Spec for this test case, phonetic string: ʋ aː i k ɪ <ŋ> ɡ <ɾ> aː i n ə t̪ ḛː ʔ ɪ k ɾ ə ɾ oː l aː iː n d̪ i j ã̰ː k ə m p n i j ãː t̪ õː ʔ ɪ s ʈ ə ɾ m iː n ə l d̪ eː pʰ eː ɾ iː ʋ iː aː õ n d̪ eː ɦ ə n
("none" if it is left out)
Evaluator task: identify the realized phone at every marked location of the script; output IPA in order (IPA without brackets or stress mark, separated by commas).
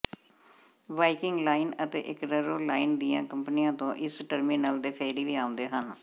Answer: ŋ, l